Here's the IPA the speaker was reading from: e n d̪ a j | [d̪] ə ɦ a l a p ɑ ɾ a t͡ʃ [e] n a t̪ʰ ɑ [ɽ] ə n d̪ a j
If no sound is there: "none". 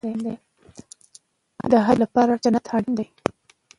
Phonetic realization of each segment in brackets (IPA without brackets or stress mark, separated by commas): d̪, a, ɽ